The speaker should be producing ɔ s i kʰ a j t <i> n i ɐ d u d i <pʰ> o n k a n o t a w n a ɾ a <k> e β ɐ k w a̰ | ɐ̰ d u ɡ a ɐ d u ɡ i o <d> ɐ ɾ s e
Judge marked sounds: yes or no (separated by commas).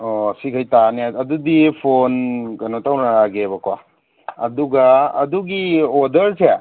no, yes, no, yes